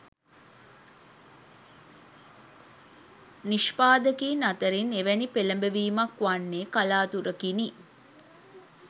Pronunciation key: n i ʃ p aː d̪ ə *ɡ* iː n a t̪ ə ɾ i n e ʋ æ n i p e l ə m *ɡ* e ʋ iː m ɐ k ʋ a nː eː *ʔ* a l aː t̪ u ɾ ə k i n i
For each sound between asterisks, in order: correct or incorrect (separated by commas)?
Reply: incorrect, incorrect, incorrect